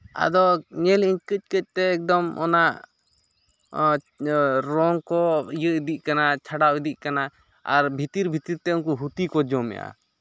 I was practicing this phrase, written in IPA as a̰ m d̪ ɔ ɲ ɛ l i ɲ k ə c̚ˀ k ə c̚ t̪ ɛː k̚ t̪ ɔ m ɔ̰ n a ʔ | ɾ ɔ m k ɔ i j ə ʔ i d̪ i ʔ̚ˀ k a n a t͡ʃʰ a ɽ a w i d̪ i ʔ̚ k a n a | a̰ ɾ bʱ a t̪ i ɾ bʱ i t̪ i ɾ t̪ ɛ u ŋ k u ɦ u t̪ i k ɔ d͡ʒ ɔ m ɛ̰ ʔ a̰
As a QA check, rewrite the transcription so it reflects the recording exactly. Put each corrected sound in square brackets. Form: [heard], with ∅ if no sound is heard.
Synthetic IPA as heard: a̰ [∅] d̪ ɔ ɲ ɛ l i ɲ k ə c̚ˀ k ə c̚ t̪ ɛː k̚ [d̪] ɔ m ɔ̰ n a ʔ | ɾ ɔ [ŋ] k ɔ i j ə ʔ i d̪ i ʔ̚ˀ k a n a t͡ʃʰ a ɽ a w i d̪ i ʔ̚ k a n a | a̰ ɾ bʱ [i] t̪ i ɾ bʱ i t̪ i ɾ t̪ ɛ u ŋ k u ɦ u t̪ i k ɔ d͡ʒ ɔ m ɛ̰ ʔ a̰